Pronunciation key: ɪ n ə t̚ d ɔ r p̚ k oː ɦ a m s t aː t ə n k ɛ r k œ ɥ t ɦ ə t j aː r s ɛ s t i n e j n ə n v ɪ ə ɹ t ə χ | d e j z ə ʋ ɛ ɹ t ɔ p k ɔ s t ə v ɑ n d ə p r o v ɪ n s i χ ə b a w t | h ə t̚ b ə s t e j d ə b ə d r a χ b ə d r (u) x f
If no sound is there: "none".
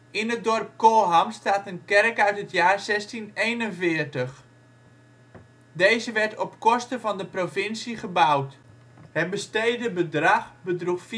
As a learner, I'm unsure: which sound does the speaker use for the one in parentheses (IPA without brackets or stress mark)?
u